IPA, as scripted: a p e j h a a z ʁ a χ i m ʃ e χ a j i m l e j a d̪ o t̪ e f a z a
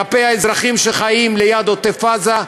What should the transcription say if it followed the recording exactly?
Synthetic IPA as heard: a p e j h a e z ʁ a χ i m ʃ e χ a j i m l e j a d̪ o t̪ e f a z a